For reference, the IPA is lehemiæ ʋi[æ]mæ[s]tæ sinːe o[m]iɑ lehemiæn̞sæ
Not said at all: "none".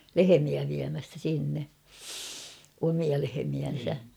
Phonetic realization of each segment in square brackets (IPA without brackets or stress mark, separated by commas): æ, s, m